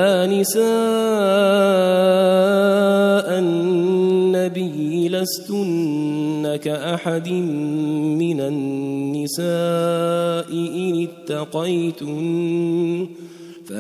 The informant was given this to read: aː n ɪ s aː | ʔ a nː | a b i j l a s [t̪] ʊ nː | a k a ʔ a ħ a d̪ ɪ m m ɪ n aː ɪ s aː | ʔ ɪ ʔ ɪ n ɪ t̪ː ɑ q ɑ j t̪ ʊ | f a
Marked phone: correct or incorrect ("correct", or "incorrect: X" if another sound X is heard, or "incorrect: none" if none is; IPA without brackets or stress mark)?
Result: correct